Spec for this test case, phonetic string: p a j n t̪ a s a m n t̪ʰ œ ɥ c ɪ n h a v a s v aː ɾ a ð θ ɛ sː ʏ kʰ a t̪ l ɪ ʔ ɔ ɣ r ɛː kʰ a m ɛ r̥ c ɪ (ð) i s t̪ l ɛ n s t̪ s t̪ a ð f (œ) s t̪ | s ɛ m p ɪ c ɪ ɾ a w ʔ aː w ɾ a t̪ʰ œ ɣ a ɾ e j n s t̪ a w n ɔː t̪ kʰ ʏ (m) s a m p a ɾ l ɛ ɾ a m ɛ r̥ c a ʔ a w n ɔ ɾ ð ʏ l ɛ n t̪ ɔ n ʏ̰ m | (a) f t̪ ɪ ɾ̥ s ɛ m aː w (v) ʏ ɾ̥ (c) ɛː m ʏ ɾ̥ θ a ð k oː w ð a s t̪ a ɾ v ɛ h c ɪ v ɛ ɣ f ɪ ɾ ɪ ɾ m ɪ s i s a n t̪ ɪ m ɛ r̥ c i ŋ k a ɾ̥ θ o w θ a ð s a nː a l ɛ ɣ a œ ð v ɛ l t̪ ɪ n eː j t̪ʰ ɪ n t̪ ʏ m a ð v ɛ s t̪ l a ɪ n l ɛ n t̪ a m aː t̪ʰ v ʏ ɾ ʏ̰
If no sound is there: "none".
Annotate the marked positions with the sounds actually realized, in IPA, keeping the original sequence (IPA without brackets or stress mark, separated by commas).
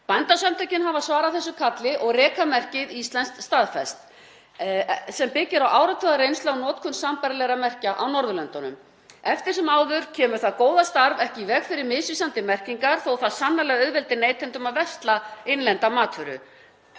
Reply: ð, ɛ, n, ɛ, ð, cʰ